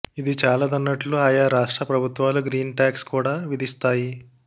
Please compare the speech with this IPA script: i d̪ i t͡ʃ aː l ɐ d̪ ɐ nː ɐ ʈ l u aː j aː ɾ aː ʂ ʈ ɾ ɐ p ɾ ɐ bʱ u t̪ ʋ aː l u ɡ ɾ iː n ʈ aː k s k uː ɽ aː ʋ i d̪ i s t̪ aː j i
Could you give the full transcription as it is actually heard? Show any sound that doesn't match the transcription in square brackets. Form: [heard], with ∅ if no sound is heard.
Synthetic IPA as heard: i d̪ i t͡ʃ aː l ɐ d̪ ɐ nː ɐ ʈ l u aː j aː ɾ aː ʂ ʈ ɾ ɐ p ɾ ɐ bʱ u t̪ ʋ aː l u ɡ ɾ iː n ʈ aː k s k uː ɽ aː ʋ i d̪ i s t̪ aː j i